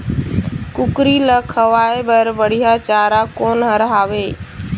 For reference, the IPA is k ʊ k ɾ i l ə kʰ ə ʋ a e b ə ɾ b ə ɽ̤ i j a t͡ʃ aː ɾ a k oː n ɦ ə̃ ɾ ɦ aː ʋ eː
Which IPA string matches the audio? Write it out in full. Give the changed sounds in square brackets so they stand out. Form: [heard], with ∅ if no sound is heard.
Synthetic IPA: k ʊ k ɾ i l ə kʰ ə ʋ a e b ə ɾ b ə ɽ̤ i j a t͡ʃ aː ɾ a k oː n ɦ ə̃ ɾ ɦ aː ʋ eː

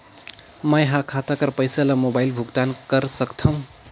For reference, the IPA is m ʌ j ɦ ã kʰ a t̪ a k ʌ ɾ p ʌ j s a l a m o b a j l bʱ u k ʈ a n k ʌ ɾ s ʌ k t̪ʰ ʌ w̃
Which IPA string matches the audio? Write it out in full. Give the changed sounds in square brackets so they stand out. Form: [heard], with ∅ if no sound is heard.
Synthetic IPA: m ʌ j ɦ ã kʰ a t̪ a k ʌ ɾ p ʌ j s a l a m o b a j l bʱ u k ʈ a n k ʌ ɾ s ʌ k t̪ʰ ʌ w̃

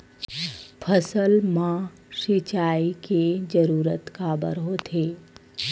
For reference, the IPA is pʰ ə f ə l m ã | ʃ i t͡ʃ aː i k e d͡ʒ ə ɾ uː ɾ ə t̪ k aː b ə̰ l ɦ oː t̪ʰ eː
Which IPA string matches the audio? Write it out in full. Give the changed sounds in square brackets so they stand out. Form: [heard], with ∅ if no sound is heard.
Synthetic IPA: pʰ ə [s] ə l m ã | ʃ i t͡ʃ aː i k e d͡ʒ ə ɾ uː ɾ ə t̪ k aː b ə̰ [ɾ] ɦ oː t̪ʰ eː

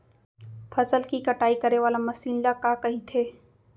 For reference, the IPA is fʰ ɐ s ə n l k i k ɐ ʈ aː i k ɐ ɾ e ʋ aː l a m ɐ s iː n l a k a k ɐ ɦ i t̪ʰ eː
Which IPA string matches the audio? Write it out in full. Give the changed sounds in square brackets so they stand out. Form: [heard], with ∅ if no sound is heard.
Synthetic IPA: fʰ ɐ s ə [∅] l k i k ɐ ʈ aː i k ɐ ɾ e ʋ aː l a m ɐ s iː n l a k a k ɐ ɦ i t̪ʰ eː

